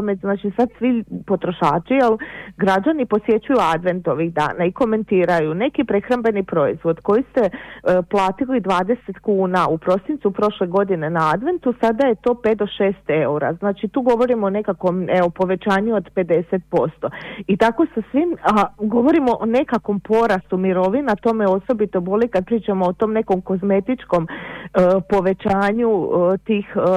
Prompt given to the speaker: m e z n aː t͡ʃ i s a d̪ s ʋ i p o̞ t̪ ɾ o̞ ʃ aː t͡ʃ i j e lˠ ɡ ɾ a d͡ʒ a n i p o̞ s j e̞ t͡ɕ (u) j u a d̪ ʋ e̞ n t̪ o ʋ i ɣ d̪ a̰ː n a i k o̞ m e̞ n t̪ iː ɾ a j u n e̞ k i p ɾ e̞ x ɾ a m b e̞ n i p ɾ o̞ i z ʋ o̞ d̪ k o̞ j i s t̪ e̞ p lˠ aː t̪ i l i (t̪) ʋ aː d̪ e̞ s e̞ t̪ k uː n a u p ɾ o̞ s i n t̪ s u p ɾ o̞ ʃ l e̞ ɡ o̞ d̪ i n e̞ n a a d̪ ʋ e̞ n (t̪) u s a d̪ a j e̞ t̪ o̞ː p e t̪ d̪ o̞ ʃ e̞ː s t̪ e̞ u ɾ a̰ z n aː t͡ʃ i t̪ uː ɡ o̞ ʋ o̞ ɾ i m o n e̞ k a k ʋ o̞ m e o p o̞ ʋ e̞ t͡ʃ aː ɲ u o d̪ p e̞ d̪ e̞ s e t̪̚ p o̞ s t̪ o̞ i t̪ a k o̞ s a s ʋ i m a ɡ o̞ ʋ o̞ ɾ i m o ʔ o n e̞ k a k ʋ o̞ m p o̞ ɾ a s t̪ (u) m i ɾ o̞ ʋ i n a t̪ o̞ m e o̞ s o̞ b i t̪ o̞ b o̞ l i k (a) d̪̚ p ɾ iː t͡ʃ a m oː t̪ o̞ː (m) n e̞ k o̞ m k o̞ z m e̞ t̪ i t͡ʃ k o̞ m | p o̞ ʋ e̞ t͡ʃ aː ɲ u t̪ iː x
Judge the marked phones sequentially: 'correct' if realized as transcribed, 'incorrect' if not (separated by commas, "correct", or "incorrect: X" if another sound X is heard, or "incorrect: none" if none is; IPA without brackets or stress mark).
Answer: correct, incorrect: d̪, correct, correct, correct, correct